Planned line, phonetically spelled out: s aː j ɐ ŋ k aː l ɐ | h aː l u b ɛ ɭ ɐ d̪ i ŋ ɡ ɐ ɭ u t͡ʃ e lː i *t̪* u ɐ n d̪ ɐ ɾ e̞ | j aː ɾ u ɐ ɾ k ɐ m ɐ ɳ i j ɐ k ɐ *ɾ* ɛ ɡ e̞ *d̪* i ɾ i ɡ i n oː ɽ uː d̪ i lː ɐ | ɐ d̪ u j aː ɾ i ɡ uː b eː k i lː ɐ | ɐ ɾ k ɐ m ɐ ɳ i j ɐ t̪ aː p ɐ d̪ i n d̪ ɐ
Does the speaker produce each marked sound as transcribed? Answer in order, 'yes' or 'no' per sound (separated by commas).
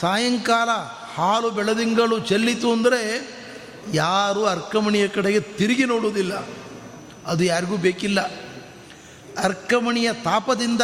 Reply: yes, no, no